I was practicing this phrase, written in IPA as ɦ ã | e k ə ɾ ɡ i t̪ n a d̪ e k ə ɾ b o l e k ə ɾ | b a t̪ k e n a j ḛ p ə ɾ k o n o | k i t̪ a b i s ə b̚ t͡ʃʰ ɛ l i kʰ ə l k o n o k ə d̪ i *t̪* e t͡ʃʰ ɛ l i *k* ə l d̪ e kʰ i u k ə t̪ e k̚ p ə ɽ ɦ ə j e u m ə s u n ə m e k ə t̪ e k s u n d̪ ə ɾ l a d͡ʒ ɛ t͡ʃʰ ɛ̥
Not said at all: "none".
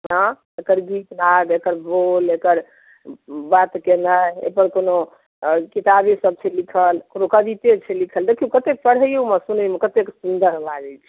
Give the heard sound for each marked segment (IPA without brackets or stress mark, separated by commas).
t̪, kʰ